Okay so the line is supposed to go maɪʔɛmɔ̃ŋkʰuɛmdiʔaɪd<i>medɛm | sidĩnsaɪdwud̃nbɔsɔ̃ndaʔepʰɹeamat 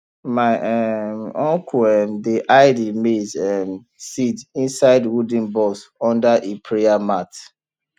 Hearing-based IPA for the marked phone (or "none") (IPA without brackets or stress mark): i